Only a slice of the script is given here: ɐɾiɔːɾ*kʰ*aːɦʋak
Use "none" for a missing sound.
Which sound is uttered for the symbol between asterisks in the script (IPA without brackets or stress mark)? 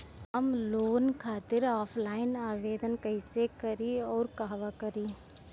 k